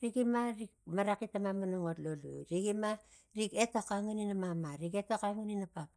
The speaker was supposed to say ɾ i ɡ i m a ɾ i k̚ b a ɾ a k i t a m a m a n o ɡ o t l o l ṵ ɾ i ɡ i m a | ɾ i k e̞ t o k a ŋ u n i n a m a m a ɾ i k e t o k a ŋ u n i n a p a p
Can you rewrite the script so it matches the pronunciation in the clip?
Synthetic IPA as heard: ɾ i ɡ i m a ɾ i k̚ m a ɾ a k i t a m a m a n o ŋ o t l o l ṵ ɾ i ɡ i m a | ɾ i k e̞ t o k a ŋ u n i n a m a m a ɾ i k e t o k a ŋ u n i n a p a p